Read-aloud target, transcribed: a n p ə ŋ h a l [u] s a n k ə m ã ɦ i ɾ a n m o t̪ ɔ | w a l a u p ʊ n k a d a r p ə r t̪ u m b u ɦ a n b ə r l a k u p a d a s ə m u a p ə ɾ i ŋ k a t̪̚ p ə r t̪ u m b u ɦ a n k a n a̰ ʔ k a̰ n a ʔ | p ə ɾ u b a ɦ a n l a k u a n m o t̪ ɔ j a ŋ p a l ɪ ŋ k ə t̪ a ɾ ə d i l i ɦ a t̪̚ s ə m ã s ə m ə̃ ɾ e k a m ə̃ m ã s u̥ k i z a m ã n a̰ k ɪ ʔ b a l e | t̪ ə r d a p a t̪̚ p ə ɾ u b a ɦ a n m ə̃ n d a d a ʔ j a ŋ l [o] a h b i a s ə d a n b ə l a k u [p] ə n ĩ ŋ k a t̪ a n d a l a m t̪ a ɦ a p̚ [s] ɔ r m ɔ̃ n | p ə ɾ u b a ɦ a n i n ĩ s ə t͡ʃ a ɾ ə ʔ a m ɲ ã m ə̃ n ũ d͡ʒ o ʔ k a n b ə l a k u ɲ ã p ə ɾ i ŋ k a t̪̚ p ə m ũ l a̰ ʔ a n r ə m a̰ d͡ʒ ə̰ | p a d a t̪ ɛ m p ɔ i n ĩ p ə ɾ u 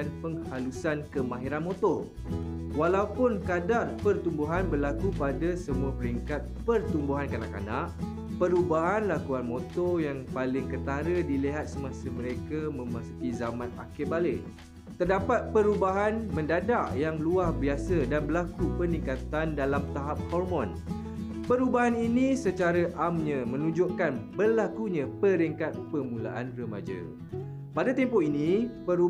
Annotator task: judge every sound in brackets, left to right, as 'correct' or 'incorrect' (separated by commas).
correct, incorrect, correct, incorrect